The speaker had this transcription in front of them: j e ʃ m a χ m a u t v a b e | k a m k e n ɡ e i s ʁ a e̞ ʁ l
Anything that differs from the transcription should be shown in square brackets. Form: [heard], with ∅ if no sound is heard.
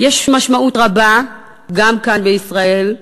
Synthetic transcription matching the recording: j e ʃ m a [ʃ] m a u t [ʁ] a b [a] | [ɡ] a m k [a] n [b] e i s ʁ a e̞ [∅] l